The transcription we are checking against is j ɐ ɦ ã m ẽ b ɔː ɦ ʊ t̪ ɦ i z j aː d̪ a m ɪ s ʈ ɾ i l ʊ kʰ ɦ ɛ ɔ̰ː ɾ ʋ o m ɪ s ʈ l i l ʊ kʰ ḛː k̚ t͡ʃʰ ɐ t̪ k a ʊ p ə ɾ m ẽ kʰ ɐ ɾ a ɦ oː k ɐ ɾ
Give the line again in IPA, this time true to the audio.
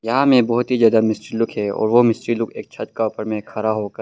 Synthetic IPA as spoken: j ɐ ɦ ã m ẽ b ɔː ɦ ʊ t̪ ɦ i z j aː d̪ a m ɪ s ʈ ɾ i l ʊ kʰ ɦ ɛ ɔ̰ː ɾ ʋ o m ɪ s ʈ ɾ i l ʊ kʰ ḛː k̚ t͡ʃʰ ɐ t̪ k a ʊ p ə ɾ m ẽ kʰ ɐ ɾ a ɦ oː k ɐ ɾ

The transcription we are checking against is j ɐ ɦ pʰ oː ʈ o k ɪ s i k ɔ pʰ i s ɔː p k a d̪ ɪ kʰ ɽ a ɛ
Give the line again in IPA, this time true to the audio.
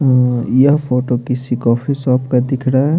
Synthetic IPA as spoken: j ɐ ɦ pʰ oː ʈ o k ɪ s i k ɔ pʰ i s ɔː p k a d̪ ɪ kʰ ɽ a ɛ

